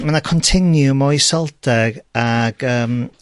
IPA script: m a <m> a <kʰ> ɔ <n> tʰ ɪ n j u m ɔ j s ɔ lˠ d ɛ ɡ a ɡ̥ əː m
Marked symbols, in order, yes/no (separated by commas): no, yes, yes